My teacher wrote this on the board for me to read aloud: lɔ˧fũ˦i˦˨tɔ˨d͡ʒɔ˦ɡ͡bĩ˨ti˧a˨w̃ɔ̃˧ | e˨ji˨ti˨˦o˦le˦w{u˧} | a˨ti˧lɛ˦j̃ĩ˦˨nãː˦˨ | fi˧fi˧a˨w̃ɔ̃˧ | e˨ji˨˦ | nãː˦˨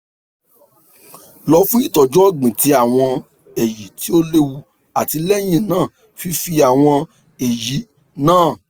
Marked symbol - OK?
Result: yes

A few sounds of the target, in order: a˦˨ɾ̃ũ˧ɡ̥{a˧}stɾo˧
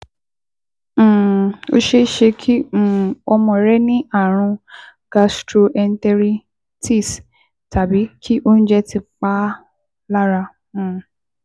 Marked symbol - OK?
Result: yes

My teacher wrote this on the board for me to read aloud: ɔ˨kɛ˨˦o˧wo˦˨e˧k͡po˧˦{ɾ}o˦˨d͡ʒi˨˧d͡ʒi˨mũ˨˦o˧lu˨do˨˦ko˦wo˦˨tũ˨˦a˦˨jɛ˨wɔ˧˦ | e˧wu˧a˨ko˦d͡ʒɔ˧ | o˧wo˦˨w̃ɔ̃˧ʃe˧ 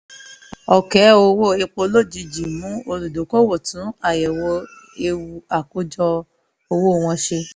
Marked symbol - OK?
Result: no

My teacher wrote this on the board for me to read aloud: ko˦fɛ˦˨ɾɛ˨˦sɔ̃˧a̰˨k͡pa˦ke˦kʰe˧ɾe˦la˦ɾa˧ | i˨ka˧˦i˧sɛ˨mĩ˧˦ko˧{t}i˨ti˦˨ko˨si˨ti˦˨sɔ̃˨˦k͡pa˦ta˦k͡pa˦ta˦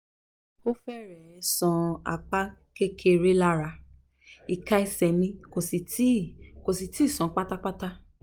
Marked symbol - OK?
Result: no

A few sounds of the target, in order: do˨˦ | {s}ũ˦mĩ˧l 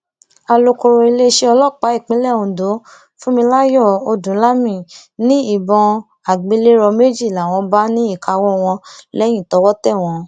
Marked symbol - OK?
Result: no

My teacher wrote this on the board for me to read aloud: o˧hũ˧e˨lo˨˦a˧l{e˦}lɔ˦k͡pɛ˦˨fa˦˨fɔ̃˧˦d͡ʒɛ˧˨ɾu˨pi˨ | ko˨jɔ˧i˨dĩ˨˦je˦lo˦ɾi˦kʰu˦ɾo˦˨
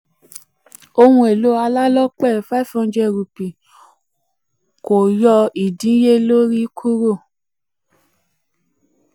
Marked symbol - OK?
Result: no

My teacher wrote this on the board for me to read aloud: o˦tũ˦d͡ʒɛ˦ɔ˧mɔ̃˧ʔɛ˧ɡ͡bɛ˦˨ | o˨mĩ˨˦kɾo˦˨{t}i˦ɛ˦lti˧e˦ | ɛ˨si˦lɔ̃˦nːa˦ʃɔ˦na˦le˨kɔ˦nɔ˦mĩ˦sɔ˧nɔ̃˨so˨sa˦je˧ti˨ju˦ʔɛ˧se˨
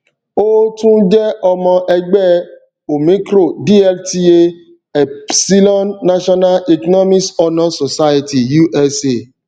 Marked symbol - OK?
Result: no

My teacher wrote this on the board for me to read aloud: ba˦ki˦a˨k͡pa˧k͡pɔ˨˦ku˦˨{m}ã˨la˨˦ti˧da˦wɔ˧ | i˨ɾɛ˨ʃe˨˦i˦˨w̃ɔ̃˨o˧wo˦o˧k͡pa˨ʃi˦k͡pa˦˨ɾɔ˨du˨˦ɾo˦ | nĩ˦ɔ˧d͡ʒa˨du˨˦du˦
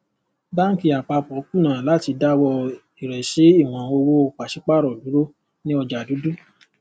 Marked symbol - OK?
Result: no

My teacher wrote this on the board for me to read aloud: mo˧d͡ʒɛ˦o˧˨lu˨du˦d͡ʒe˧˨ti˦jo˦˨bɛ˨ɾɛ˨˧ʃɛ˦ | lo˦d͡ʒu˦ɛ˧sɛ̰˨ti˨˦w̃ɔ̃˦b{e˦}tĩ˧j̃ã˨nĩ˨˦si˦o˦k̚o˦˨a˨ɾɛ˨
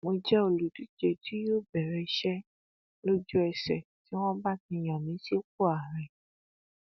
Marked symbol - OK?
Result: no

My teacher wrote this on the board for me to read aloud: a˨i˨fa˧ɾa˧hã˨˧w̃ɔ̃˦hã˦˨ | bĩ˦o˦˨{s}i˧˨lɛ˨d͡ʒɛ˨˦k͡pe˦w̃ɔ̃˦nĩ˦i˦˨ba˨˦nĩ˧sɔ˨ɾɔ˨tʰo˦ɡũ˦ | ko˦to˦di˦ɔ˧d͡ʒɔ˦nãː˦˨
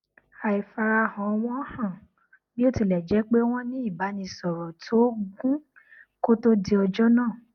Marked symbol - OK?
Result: no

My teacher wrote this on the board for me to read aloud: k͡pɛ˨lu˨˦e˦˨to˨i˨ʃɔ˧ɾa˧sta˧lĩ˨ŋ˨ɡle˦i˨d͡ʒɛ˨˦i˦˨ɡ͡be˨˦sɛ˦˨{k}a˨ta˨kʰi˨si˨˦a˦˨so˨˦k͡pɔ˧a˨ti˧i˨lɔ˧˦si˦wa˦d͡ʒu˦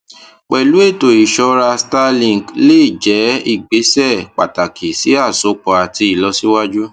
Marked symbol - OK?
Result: no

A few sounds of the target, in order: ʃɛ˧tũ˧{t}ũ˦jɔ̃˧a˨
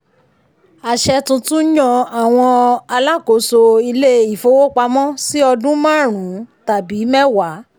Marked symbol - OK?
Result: yes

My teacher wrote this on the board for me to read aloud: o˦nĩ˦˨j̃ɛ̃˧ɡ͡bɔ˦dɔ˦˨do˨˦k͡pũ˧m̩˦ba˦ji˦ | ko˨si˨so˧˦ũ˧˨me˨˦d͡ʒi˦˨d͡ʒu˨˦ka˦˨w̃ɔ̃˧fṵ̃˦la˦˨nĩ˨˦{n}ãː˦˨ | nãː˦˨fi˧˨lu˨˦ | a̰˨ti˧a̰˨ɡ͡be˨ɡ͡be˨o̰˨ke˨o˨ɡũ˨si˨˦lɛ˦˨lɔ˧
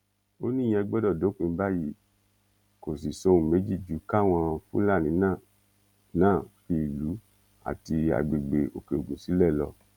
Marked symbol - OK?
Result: yes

